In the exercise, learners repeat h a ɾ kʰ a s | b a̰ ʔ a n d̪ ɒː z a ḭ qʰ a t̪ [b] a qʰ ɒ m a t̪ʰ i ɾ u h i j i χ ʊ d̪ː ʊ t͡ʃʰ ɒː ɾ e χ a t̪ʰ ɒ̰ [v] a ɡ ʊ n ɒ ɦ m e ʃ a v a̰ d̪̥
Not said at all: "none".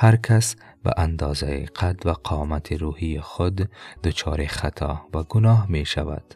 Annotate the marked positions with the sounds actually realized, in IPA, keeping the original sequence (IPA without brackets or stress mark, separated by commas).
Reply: v, v